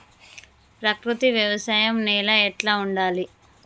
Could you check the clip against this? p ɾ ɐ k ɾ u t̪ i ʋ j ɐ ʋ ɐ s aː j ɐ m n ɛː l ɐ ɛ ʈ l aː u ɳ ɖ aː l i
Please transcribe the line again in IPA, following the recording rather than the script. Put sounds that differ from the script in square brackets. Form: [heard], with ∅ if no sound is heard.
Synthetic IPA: p ɾ ɐ k ɾ u t̪ i ʋ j ɐ ʋ ɐ s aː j ɐ m n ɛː l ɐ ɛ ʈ l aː u ɳ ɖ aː l i